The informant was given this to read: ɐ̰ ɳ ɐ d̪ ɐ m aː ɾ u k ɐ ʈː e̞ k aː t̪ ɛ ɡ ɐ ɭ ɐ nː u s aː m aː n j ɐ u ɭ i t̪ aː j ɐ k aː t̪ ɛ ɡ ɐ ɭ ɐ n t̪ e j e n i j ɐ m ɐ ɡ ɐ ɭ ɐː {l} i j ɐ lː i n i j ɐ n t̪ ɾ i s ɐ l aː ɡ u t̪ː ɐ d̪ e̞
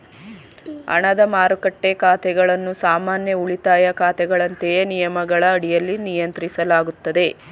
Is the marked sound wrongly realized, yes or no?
yes